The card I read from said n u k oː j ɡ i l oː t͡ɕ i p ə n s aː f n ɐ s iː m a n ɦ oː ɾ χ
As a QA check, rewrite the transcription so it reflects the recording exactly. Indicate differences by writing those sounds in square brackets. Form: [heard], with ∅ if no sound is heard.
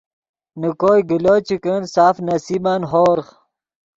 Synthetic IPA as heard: n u k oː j ɡ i l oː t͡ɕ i [k] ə n s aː f n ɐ s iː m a n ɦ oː ɾ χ